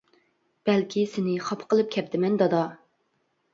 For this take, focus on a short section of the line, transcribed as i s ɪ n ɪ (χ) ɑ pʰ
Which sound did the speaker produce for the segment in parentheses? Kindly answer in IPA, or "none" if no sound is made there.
χ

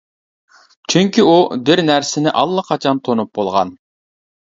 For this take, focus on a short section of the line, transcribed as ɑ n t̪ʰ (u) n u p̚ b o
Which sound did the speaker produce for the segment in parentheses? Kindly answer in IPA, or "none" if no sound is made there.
o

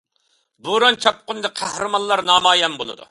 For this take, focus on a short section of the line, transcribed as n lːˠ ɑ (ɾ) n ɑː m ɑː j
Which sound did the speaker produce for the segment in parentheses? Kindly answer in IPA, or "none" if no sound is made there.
ɾ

